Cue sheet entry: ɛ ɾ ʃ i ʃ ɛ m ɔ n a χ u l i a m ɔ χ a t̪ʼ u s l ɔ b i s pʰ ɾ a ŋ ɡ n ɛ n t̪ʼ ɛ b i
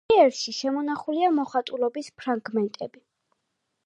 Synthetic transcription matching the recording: ɛ ɾ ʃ i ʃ ɛ m ɔ n a χ u l i a m ɔ χ a t̪ʼ u l ɔ b i s pʰ ɾ a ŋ ɡ m ɛ n t̪ʼ ɛ b i